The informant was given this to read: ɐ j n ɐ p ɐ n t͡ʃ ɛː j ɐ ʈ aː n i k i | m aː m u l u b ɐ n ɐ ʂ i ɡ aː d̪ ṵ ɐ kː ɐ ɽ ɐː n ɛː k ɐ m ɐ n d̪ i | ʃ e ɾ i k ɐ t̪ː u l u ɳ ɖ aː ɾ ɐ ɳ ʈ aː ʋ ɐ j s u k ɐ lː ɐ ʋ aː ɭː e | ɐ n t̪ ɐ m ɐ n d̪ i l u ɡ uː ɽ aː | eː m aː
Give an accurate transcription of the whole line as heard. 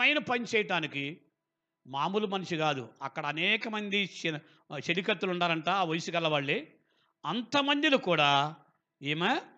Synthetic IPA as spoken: ɐ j n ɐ p ɐ n t͡ʃ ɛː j ɐ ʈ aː n i k i | m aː m u l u m ɐ n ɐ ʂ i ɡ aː d̪ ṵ ɐ kː ɐ ɽ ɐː n ɛː k ɐ m ɐ n d̪ i | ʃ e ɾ i k ɐ t̪ː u l u ɳ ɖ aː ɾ ɐ ɳ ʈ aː ʋ ɐ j s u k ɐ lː ɐ ʋ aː ɭː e | ɐ n t̪ ɐ m ɐ n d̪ i l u k uː ɽ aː | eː m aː